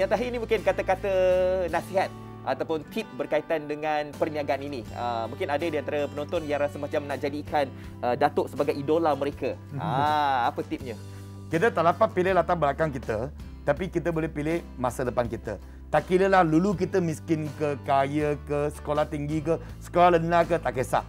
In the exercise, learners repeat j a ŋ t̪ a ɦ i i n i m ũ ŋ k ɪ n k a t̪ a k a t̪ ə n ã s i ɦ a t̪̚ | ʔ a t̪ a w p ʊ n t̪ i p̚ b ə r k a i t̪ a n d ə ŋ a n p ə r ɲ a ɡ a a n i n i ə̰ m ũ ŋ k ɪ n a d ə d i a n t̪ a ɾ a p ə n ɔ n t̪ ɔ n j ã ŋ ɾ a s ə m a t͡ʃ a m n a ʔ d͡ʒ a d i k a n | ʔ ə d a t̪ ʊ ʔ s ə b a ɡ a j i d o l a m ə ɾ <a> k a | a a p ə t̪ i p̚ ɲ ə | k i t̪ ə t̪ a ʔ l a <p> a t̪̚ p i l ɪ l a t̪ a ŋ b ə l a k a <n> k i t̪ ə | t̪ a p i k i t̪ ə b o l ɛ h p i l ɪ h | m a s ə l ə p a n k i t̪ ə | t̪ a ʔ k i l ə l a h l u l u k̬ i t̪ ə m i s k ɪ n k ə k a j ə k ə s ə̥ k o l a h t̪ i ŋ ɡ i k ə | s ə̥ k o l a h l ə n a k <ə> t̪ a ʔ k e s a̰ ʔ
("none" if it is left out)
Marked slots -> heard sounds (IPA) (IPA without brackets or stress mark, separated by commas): e, p, ŋ, ə